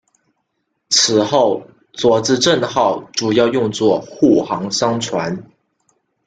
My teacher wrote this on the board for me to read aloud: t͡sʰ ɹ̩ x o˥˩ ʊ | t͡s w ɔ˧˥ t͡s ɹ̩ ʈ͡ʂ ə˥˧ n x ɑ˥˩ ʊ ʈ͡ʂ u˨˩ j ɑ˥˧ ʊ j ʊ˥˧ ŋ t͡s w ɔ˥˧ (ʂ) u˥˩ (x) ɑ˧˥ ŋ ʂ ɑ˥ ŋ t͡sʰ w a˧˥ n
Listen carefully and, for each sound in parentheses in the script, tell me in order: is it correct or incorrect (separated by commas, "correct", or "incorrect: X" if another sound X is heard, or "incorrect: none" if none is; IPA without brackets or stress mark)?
incorrect: x, correct